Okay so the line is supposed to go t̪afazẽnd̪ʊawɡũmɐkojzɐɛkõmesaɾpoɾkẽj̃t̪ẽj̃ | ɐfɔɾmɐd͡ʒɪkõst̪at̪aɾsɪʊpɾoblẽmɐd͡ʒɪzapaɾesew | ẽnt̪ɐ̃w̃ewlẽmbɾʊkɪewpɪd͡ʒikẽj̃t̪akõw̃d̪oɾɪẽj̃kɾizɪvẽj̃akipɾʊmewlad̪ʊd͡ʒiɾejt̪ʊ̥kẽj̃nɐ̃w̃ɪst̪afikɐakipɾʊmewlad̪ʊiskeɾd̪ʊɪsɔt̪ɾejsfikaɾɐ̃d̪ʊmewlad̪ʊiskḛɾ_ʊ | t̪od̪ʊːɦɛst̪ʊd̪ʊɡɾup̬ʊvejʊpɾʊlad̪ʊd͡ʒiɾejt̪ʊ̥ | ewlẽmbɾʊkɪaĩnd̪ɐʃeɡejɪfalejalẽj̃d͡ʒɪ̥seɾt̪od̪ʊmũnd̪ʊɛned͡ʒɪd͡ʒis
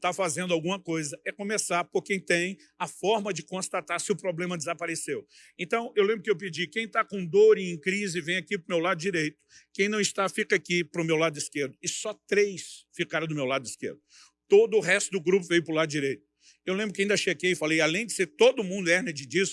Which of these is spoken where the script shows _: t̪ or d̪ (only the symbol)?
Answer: d̪